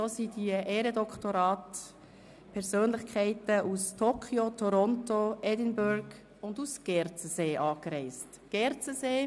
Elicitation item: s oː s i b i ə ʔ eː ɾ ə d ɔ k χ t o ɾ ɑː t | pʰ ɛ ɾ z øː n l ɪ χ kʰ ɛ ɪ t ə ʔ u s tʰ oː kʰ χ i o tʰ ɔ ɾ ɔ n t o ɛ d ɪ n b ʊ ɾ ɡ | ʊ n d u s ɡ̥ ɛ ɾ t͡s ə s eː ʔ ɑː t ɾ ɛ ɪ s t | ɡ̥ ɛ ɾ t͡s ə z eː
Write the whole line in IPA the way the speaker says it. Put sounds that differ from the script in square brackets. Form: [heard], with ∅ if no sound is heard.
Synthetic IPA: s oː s i [d] i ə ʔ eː ɾ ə d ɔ k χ t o ɾ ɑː t | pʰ ɛ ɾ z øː n l ɪ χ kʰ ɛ ɪ t ə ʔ u s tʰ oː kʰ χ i o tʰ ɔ ɾ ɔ n t o ɛ d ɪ n b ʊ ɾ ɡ | ʊ n d u s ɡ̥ ɛ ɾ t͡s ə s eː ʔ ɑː [k] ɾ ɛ ɪ s t | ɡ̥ ɛ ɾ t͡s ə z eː